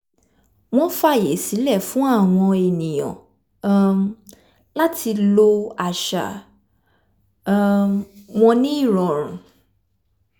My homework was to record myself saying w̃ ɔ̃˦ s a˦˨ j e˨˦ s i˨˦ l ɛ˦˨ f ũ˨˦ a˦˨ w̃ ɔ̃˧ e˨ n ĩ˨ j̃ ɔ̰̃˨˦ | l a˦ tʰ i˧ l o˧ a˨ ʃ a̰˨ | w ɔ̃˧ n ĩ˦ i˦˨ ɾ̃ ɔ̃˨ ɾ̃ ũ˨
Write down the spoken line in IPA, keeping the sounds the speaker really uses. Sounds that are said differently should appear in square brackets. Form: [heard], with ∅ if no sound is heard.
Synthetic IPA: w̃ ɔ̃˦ [f] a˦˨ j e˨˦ s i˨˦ l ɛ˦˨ f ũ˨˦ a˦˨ w̃ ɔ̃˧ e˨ n ĩ˨ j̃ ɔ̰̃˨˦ | l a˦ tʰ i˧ l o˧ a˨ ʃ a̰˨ | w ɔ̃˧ n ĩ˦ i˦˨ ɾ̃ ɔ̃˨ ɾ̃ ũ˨

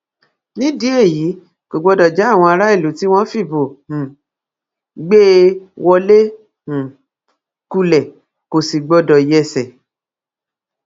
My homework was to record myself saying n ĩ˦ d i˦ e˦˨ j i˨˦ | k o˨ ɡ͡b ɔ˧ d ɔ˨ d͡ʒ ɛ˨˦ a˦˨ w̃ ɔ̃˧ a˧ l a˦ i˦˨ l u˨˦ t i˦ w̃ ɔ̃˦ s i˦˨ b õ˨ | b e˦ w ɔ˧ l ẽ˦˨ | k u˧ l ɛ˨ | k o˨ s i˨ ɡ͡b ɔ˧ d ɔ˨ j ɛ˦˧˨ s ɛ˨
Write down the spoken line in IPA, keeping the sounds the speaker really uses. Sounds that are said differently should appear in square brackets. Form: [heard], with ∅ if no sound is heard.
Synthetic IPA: n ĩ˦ d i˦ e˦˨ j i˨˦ | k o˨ ɡ͡b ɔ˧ d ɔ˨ d͡ʒ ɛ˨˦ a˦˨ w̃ ɔ̃˧ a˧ [ɾ] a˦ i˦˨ l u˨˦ t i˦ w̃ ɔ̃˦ [f] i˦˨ b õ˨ | [ɡ͡b] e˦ w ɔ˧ l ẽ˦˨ | k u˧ l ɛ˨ | k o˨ s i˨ ɡ͡b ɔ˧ d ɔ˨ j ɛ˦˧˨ s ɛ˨

